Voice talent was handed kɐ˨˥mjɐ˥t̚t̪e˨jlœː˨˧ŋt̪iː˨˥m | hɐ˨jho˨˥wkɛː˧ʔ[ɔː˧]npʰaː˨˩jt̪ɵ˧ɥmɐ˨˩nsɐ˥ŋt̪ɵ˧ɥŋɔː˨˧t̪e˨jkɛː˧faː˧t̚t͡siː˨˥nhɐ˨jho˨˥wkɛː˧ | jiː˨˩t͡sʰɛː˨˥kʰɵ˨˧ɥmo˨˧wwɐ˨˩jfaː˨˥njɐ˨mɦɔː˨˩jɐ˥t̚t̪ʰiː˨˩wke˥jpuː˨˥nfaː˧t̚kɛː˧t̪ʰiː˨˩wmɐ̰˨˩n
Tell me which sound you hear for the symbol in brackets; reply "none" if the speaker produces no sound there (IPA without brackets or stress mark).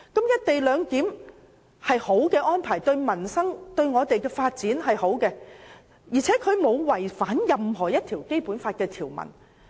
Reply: ɔː˥